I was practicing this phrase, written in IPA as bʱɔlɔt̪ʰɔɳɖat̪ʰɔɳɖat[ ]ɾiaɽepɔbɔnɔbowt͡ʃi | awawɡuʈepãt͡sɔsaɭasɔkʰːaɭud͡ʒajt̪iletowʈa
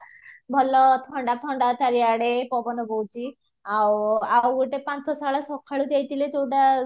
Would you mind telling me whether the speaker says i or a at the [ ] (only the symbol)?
a